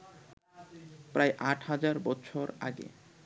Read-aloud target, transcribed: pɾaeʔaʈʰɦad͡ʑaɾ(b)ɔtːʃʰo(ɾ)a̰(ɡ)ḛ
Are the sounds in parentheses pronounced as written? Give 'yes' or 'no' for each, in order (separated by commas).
yes, yes, yes